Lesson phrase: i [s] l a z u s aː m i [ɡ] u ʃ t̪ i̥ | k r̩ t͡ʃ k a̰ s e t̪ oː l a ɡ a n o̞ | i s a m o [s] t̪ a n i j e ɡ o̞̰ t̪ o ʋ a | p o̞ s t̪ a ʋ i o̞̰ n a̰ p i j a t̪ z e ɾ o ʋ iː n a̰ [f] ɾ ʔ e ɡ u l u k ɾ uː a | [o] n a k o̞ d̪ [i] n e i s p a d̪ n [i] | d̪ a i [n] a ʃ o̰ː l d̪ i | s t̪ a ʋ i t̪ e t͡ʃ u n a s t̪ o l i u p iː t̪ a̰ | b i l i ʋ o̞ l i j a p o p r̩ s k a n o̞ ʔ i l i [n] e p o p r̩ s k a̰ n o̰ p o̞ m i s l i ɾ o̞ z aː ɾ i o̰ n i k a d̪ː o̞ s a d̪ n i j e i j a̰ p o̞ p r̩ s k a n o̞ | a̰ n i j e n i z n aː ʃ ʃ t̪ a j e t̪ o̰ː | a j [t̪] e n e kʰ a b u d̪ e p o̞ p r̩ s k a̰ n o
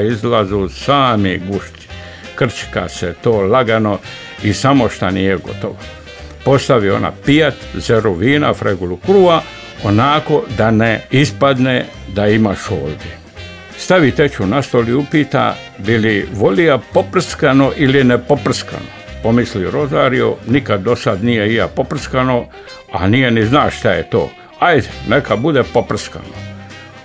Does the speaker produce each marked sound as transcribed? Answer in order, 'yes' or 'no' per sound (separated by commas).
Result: no, yes, no, yes, yes, no, no, no, yes, no